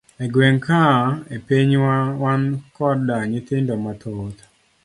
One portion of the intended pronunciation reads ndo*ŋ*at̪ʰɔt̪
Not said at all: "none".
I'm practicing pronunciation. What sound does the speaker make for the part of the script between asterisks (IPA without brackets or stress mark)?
m